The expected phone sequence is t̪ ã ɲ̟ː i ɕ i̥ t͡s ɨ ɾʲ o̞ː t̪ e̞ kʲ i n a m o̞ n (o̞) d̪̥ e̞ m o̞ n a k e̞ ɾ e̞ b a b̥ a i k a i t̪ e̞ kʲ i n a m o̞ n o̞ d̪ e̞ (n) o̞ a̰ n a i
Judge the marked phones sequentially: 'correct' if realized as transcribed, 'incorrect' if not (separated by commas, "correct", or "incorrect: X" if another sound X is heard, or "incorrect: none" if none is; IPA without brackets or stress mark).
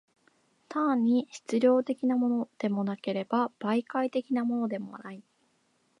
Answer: correct, incorrect: m